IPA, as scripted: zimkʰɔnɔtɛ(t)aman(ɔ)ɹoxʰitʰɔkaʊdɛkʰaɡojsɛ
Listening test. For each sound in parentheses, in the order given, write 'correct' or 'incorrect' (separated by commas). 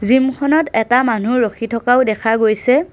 correct, incorrect